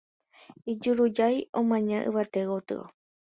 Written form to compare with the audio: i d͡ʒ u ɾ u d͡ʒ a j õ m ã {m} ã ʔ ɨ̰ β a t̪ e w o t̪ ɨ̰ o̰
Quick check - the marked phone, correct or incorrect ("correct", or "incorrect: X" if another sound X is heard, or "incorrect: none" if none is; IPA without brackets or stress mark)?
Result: incorrect: ɲ